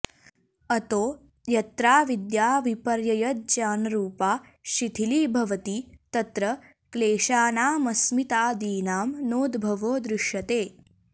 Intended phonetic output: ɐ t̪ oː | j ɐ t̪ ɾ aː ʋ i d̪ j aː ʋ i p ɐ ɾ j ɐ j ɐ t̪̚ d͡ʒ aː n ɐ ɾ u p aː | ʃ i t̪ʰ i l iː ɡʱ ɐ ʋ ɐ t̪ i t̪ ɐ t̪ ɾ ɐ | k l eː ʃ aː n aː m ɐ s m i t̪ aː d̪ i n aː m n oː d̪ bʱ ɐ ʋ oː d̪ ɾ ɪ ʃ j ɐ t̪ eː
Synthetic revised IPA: ɐ t̪ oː | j ɐ t̪ ɾ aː ʋ i d̪ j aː ʋ i p ɐ ɾ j ɐ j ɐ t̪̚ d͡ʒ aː n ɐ ɾ uː p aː | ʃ i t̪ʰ i l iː bʱ ɐ ʋ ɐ t̪ i t̪ ɐ t̪ ɾ ɐ | k l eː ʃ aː n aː m ɐ s m i t̪ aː d̪ iː n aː m n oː d̪ bʱ ɐ ʋ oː d̪ ɾ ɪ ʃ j ɐ t̪ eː